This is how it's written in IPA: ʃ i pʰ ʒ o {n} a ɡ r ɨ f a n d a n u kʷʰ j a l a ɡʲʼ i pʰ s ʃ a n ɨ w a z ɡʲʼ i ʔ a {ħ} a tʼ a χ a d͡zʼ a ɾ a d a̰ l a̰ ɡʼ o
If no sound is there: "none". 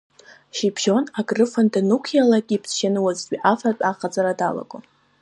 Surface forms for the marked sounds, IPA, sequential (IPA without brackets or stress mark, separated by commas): n, f